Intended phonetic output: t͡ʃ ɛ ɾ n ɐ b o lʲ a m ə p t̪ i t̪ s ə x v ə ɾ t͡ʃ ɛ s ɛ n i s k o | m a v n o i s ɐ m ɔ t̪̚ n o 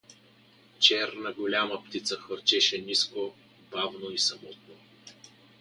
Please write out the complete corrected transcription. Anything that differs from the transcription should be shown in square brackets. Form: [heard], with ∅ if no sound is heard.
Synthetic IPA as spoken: t͡ʃ ɛ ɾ n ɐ [ɡ] o lʲ a m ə p t̪ i t̪ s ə x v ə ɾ t͡ʃ ɛ [ʃ] ɛ n i s k o | [b] a v n o i s ɐ m ɔ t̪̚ n o

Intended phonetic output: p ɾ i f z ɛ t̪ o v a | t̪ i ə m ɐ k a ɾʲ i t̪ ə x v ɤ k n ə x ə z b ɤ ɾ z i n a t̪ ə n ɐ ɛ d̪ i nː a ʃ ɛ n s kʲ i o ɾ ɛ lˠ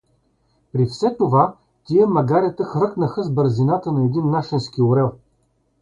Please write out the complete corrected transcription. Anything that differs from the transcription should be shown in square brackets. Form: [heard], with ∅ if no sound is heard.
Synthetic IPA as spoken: p ɾ i f [s] ɛ t̪ o v a | t̪ i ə m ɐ [ɡ] a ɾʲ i t̪ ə x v ɤ k n ə x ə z b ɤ ɾ z i n a t̪ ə n ɐ ɛ d̪ i nː a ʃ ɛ n s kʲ i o ɾ ɛ lˠ

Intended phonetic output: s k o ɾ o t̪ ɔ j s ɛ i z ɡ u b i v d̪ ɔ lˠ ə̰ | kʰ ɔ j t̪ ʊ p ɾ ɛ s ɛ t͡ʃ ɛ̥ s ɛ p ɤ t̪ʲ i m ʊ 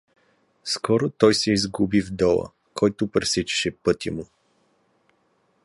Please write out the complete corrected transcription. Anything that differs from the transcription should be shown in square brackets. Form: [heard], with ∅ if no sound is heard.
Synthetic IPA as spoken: s k [ɔ] ɾ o t̪ ɔ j s ɛ i z ɡ u b i v d̪ ɔ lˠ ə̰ | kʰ ɔ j t̪ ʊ p ɾ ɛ s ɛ t͡ʃ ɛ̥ [ʃ] ɛ p ɤ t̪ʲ i m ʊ

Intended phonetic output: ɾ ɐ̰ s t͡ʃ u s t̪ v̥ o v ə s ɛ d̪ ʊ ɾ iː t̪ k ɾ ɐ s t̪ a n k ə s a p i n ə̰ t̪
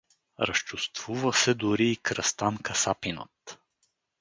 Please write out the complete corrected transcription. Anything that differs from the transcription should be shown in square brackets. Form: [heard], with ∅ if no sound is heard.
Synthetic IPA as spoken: ɾ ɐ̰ s t͡ʃ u s t̪ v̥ [u] v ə s ɛ d̪ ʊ ɾ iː [∅] k ɾ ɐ s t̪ a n k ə s a p i n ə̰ t̪

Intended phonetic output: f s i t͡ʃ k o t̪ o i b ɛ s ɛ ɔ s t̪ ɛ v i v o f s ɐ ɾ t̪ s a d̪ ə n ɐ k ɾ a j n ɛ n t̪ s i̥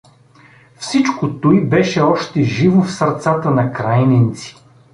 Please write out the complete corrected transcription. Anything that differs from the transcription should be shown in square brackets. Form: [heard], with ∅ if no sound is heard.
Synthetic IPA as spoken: f s i t͡ʃ k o t̪ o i b ɛ [ʃ] ɛ ɔ [ʃ] t̪ ɛ [ʒ] i v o f s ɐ ɾ t̪ s a [t̪] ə n ɐ k ɾ a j n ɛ n t̪ s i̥

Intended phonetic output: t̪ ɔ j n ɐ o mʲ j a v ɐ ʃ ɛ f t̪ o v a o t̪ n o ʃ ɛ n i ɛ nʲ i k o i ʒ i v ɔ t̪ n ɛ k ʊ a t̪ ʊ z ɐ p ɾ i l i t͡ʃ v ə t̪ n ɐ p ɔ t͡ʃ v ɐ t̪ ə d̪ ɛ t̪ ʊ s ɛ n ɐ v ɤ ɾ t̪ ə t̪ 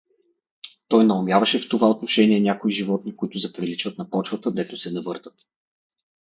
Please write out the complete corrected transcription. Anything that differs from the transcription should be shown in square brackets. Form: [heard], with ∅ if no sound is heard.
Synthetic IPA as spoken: t̪ ɔ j n ɐ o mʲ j a v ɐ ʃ ɛ f t̪ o v a o t̪ n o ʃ ɛ n i ɛ nʲ [a] k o i ʒ i v ɔ t̪ n [i] k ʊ [i] t̪ ʊ z ɐ p ɾ i l i t͡ʃ v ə t̪ n ɐ p ɔ t͡ʃ v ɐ t̪ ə d̪ ɛ t̪ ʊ s ɛ n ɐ v ɤ ɾ t̪ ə t̪

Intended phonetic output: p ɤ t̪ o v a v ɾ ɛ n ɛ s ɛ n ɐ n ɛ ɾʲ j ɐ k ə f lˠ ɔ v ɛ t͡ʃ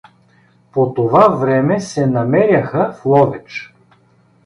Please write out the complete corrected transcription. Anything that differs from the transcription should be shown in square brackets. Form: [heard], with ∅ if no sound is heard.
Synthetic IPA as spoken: p [o] t̪ o v a v ɾ ɛ [m] ɛ s ɛ n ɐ [m] ɛ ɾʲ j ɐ [x] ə f lˠ ɔ v ɛ t͡ʃ

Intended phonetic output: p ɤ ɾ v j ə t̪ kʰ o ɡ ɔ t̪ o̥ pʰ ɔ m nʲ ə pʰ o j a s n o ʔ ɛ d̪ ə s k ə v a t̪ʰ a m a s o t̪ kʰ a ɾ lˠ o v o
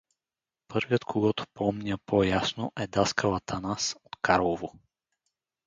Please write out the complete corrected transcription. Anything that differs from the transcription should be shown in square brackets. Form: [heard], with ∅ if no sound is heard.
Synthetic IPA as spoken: p ɤ ɾ v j ə t̪ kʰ o ɡ ɔ t̪ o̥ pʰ ɔ m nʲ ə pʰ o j a s n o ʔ ɛ d̪ [a] s k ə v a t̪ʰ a [n] a s o t̪ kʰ a ɾ lˠ o v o

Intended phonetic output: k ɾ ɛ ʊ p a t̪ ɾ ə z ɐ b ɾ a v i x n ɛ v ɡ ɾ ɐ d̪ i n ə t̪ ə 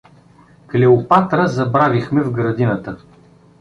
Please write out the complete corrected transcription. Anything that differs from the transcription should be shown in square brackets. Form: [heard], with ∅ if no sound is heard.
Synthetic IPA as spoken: k [l] ɛ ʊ p a t̪ ɾ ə z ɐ b ɾ a v i x [m] ɛ v ɡ ɾ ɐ d̪ i n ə t̪ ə

